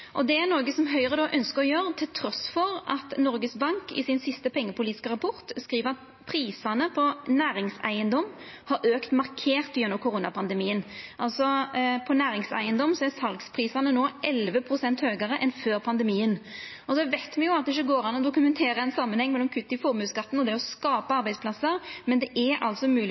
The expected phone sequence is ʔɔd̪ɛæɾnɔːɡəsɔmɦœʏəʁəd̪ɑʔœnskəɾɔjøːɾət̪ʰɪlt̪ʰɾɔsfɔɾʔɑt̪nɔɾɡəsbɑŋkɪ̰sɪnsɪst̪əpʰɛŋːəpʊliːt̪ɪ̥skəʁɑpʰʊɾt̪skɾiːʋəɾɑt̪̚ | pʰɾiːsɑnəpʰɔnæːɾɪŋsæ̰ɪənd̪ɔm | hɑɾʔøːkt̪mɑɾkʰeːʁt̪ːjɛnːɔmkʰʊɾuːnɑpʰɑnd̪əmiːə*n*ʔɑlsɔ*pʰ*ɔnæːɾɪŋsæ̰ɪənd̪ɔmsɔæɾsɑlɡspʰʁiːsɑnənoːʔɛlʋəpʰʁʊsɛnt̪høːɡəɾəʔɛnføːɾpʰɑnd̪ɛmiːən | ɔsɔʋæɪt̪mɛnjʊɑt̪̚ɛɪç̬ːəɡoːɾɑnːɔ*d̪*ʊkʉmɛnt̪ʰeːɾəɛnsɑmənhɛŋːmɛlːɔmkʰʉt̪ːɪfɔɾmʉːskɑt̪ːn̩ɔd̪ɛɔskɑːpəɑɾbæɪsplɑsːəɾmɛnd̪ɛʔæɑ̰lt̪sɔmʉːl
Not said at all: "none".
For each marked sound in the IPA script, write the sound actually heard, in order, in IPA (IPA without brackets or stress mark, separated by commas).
n, pʰ, d̪